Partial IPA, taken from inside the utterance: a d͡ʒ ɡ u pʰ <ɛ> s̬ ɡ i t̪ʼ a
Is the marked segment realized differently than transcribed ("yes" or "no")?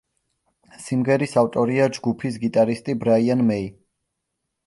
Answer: yes